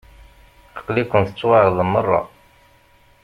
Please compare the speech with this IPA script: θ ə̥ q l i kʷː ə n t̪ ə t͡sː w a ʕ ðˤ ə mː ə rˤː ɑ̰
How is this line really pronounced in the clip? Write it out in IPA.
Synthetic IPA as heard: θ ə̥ q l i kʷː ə n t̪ ə t͡sː w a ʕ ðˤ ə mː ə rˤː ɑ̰